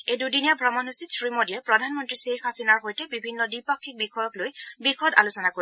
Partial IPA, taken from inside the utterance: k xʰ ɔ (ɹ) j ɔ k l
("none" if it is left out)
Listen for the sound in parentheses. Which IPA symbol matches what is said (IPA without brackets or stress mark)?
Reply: none